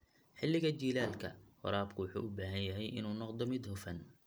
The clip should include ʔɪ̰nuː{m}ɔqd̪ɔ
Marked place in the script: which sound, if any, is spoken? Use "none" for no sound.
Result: n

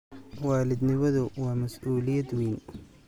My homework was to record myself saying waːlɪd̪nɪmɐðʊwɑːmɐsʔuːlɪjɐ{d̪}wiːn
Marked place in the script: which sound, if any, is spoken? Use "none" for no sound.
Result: d̪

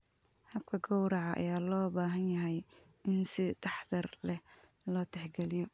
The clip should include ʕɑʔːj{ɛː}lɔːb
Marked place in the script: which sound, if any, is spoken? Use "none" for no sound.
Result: aː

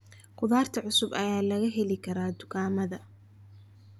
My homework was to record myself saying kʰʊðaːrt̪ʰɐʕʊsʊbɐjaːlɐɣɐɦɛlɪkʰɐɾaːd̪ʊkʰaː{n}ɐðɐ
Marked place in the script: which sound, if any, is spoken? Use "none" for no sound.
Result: m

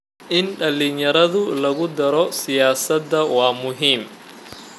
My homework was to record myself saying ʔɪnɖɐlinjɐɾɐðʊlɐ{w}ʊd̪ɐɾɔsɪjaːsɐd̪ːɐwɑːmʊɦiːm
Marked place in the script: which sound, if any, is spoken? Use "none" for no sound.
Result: ɣ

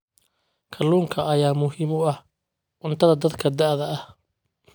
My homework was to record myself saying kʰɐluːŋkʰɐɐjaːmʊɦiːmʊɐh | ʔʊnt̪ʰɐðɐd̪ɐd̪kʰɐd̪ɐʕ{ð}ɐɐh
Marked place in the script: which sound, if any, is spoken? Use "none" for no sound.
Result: ð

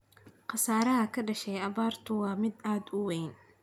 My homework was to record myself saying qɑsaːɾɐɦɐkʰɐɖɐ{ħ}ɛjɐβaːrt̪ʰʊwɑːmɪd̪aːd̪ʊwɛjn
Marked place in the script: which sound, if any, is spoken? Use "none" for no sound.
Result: ʃ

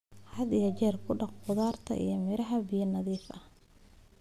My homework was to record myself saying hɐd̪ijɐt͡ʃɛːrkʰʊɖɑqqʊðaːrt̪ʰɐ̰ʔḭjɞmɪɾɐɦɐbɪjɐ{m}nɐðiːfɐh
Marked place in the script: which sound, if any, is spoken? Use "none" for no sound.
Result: none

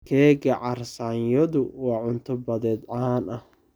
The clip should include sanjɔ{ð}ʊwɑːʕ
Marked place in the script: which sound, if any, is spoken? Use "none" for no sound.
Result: ð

